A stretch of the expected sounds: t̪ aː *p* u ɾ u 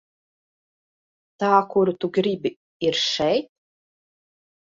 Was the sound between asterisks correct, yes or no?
no